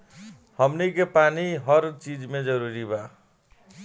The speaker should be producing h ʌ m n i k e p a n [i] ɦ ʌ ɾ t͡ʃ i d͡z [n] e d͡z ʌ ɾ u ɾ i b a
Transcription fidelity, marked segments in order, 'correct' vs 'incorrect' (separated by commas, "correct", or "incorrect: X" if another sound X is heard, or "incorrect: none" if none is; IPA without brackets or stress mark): correct, incorrect: m